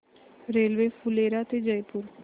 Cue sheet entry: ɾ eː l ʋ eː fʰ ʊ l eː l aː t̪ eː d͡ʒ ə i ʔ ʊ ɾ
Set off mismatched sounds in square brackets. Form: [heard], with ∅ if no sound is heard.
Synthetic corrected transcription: ɾ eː l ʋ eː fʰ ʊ l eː [ɾ] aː t̪ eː d͡ʒ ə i [p] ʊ ɾ